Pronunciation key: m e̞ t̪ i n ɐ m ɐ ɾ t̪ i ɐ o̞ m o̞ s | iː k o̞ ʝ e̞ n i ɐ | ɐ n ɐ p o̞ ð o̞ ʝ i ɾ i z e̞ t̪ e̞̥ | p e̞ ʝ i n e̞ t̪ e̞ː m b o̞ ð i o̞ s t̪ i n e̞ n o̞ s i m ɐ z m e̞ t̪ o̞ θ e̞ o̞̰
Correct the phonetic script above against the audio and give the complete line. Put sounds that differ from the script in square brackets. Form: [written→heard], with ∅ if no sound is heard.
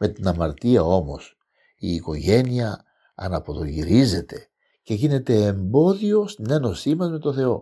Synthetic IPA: m e̞ t̪ i n ɐ m ɐ ɾ t̪ i ɐ o̞ m o̞ s | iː k o̞ ʝ e̞ n i ɐ | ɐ n ɐ p o̞ ð o̞ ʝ i ɾ i z e̞ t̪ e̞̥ | [p→c] e̞ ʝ i n e̞ t̪ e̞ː m b o̞ ð i o̞ s t̪ i n e̞ n o̞ s i m ɐ z m e̞ t̪ o̞ θ e̞ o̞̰